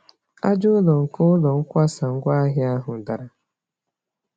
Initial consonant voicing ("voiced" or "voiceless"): voiced